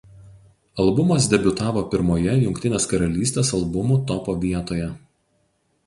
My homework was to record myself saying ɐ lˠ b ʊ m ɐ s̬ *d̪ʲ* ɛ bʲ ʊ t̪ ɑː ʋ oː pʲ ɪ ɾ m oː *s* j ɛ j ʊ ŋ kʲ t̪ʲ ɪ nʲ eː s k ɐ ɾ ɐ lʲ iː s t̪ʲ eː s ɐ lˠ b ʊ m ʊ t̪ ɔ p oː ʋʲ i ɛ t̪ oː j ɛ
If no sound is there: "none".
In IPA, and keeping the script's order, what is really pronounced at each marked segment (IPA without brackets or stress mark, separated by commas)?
d̪ʲ, none